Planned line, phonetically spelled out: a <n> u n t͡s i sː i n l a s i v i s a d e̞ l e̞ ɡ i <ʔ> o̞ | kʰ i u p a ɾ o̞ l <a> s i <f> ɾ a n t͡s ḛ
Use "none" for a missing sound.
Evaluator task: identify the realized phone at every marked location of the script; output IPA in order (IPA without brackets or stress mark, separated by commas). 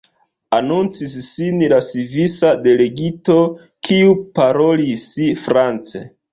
n, t, i, f